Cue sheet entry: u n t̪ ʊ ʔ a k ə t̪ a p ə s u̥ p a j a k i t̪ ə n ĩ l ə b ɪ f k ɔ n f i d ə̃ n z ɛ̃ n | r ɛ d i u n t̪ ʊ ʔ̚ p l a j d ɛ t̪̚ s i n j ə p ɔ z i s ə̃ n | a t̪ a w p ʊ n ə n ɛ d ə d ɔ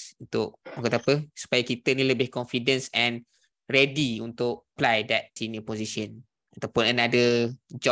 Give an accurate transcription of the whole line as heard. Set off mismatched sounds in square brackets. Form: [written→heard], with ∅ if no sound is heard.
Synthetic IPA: u n t̪ ʊ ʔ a k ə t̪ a p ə s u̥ p a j a k i t̪ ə n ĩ l ə b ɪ [f→h] k ɔ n f i d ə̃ n [z→s] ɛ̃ n | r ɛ d i u n t̪ ʊ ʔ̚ p l a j d ɛ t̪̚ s i n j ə p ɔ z i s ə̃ n | a t̪ a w p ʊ n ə n [ɛ→a] d ə [d→d͡ʒ] ɔ